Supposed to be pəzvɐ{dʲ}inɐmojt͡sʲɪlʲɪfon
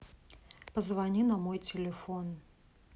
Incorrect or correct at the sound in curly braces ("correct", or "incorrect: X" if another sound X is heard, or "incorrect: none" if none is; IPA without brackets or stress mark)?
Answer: incorrect: nʲ